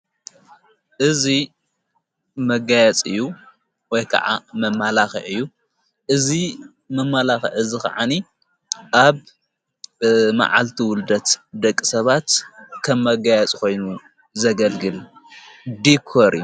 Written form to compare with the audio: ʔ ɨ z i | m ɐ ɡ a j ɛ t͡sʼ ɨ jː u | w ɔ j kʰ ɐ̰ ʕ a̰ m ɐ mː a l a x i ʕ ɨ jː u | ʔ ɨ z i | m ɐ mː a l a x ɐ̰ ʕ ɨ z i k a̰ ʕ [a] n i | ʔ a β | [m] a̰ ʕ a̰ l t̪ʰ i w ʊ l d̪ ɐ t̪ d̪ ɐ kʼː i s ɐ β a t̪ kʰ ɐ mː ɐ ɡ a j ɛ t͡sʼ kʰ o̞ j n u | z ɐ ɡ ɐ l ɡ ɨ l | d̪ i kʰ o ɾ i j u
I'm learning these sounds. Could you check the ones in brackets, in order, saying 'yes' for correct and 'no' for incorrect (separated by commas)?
yes, yes